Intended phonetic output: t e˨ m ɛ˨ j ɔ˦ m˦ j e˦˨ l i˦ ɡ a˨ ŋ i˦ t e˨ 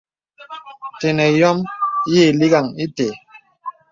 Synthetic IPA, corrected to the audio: t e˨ n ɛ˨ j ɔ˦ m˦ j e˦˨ l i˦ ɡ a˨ ŋ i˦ t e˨